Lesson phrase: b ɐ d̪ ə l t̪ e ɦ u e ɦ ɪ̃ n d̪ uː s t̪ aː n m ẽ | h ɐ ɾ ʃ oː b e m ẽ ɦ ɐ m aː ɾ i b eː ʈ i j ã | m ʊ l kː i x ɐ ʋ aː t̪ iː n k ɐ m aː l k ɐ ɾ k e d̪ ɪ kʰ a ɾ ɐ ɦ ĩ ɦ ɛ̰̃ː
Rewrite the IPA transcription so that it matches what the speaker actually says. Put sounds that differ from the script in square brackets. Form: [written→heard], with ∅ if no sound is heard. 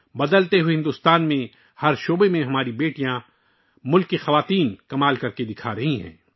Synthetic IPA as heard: b ɐ d̪ ə l t̪ e ɦ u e ɦ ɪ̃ n d̪ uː s t̪ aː n m ẽ | h ɐ ɾ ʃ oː b e m ẽ ɦ ɐ m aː ɾ i b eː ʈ i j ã | m ʊ l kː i x ɐ ʋ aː t̪ iː n k ɐ m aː l k ɐ ɾ k e d̪ ɪ kʰ a ɾ ɐ ɦ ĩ ɦ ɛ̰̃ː